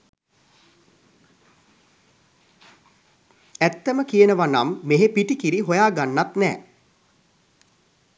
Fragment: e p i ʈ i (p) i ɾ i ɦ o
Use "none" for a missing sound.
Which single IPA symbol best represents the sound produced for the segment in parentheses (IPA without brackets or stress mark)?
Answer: k